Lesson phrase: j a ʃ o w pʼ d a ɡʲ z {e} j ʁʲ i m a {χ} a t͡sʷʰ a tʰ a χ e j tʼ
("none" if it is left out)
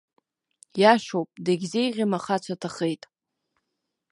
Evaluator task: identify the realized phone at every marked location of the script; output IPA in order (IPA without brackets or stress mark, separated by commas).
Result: e, χ